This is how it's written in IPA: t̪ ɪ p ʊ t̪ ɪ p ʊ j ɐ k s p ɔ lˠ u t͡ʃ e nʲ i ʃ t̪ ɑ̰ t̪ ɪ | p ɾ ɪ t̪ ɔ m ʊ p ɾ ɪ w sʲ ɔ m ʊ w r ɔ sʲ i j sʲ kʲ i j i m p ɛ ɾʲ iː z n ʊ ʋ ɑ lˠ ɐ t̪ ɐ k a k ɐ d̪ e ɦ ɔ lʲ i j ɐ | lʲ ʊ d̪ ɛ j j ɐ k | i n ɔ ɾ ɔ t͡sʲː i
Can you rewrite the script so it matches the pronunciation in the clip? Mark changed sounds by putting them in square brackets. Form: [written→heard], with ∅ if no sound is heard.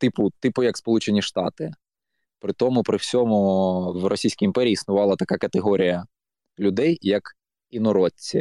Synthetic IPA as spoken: t̪ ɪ p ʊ t̪ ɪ p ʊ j ɐ k s p ɔ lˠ u t͡ʃ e nʲ i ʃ t̪ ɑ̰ t̪ ɪ | p ɾ ɪ t̪ ɔ m ʊ p ɾ ɪ w sʲ ɔ m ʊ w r ɔ sʲ i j sʲ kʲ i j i m p ɛ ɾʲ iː [z→s] n ʊ ʋ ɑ lˠ ɐ t̪ ɐ k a k ɐ [d̪→t̪] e ɦ ɔ [lʲ→ɾʲ] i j ɐ | lʲ ʊ d̪ ɛ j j ɐ k | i n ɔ ɾ ɔ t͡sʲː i